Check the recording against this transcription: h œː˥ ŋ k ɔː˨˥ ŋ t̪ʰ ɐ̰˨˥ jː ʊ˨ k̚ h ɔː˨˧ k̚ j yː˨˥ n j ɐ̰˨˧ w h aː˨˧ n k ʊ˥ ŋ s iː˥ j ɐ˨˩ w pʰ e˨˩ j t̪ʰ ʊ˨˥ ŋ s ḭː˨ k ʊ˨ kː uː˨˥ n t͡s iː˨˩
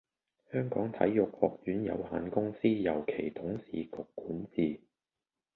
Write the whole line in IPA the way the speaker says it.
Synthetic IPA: h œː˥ ŋ k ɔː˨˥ ŋ t̪ʰ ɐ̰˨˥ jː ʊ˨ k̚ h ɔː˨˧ k̚ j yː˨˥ n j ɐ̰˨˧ w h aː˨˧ n k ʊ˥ ŋ s iː˥ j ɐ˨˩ w kʰ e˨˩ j t̪ʰ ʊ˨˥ ŋ s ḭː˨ k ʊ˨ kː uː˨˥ n t͡s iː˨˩